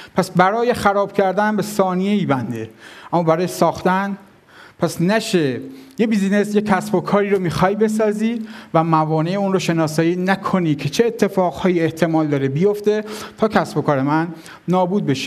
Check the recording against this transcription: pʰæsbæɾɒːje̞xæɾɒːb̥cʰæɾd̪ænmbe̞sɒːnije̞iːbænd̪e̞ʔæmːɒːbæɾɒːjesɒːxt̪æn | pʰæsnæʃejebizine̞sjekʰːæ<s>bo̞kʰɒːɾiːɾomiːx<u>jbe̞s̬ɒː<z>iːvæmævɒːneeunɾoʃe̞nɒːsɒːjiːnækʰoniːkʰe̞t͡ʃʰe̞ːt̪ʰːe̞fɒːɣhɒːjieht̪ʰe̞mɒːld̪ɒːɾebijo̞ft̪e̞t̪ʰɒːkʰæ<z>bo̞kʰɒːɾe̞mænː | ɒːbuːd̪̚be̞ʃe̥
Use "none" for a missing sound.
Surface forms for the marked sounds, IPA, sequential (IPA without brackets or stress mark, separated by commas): s, ɒ, z, s